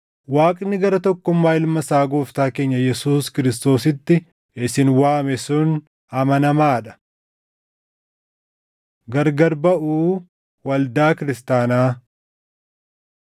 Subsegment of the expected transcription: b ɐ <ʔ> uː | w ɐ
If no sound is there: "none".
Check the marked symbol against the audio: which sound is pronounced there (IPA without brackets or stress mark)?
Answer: ʔ